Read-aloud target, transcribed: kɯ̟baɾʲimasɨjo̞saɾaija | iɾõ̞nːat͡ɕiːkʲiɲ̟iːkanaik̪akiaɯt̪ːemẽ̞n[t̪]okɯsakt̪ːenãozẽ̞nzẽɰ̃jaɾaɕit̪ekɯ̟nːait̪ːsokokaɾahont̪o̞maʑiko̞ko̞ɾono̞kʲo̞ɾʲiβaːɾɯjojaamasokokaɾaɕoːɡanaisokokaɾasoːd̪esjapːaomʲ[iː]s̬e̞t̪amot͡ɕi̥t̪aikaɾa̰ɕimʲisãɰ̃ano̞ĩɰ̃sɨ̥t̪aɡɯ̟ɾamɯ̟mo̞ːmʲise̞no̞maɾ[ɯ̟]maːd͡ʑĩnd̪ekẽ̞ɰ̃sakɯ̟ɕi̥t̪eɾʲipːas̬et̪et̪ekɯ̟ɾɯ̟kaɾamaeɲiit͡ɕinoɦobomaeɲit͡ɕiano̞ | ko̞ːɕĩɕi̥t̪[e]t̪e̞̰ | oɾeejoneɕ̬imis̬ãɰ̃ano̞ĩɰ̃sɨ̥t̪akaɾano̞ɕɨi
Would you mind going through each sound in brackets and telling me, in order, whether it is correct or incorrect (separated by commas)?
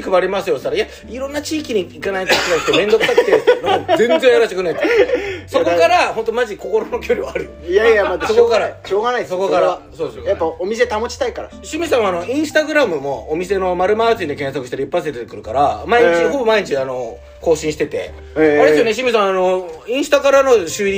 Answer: incorrect, incorrect, correct, correct